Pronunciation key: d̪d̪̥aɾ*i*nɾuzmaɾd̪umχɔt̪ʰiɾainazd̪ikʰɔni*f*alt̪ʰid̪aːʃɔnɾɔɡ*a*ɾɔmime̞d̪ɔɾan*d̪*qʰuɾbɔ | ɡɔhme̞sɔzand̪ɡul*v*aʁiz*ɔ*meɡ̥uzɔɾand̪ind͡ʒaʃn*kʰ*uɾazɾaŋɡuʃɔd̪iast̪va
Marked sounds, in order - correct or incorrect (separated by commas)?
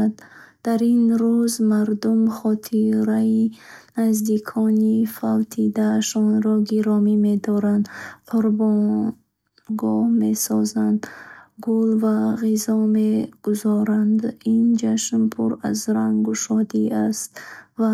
correct, correct, incorrect, correct, correct, correct, incorrect